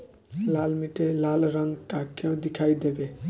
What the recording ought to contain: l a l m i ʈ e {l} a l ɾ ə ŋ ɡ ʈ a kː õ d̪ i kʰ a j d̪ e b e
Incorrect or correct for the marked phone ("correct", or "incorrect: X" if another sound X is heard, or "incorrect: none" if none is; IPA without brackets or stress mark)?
correct